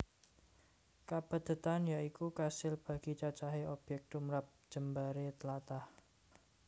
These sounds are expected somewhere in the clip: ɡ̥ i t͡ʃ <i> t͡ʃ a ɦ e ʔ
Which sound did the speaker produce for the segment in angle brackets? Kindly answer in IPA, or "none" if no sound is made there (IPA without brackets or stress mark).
a